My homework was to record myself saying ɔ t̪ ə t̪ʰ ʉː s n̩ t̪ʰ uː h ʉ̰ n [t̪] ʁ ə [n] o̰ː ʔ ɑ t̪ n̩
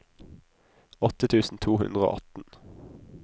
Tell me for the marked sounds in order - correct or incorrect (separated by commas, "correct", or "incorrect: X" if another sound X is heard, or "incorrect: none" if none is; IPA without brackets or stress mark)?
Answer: incorrect: d̪, incorrect: none